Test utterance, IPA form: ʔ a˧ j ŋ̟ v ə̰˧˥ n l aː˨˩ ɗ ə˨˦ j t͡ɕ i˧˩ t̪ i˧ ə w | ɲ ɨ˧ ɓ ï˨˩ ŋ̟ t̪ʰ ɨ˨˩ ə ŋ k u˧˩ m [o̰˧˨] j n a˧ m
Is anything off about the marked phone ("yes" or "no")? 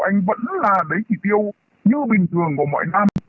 yes